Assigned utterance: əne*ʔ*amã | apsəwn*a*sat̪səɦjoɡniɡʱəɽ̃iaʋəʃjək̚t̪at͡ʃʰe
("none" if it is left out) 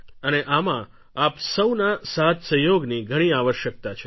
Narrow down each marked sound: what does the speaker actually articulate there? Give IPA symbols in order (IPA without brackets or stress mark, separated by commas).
ʔ, a